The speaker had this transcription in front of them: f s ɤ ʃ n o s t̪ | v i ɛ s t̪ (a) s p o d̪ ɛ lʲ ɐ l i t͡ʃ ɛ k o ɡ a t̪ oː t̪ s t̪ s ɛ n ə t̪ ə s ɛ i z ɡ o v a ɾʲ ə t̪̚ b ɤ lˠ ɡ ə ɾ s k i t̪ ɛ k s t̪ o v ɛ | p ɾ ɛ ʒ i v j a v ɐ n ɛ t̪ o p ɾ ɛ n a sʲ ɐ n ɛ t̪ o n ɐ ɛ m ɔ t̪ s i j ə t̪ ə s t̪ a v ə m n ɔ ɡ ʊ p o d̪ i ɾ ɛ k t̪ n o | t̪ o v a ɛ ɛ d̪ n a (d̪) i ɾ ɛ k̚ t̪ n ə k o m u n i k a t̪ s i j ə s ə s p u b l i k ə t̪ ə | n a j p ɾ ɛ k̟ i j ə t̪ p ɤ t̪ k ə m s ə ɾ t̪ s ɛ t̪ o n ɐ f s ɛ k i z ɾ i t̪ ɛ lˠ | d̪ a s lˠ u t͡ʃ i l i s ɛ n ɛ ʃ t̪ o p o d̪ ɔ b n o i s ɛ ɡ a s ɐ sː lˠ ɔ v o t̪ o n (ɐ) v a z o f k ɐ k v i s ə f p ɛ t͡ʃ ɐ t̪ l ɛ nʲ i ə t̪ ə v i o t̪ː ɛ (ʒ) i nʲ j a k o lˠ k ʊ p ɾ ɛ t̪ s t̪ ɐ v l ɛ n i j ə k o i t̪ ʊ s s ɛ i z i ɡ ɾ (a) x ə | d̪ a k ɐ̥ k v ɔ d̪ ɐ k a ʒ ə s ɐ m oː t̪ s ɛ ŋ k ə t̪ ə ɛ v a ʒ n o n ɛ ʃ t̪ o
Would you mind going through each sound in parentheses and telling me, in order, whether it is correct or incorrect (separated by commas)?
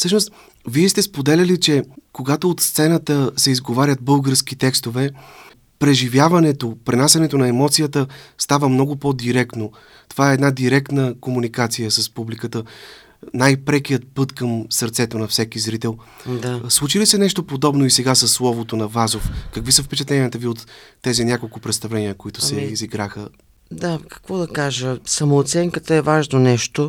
incorrect, correct, correct, incorrect, correct